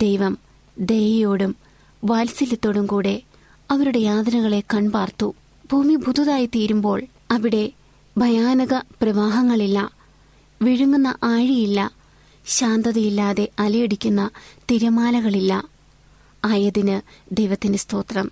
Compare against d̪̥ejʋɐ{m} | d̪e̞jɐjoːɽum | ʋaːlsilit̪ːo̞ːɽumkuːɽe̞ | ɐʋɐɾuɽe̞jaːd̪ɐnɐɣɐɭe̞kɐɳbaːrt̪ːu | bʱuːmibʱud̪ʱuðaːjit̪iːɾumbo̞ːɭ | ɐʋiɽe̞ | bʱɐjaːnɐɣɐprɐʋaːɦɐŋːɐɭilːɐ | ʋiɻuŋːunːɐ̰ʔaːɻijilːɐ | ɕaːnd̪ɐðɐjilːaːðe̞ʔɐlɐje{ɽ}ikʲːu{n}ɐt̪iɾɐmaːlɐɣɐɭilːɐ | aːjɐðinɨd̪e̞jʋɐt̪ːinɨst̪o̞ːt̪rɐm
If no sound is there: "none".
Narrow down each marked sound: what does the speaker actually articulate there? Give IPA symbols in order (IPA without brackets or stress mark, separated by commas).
m, ɽ, nː